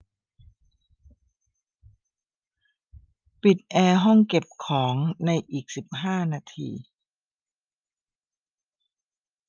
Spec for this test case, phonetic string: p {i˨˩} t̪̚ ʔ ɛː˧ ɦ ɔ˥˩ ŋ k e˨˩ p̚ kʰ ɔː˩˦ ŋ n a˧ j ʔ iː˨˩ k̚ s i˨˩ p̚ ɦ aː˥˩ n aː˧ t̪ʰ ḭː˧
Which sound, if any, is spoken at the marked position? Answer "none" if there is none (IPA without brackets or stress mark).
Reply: i˨˩